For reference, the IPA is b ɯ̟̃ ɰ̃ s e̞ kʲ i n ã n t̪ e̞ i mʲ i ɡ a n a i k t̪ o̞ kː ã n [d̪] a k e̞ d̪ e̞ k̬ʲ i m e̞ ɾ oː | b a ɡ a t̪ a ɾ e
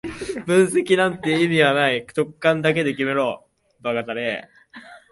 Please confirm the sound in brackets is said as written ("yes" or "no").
yes